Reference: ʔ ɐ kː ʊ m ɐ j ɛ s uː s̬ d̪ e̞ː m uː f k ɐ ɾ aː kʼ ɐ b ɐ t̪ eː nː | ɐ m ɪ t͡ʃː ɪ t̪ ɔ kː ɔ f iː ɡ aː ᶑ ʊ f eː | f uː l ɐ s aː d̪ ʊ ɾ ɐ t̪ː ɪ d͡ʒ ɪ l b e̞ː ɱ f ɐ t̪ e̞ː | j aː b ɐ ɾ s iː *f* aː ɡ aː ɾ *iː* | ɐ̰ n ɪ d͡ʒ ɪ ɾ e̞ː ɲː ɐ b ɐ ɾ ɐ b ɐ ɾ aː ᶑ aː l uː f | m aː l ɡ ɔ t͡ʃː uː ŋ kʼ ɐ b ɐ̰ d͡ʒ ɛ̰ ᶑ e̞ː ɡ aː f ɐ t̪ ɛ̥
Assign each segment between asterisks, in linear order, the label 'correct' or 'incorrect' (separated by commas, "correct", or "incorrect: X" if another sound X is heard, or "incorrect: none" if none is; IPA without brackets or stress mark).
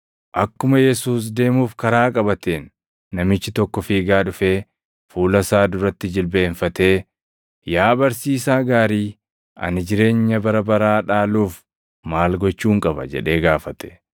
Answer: incorrect: s, correct